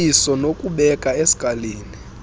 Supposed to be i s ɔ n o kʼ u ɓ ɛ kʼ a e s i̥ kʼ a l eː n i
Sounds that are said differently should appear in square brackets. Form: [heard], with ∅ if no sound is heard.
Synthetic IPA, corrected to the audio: i s ɔ n o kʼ u ɓ ɛ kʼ a e s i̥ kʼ a l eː n i